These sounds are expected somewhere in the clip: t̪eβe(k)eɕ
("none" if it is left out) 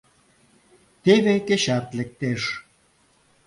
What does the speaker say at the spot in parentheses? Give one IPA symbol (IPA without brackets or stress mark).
k